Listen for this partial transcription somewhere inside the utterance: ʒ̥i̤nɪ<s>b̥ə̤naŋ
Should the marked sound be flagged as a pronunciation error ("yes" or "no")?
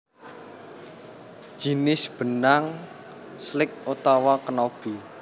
no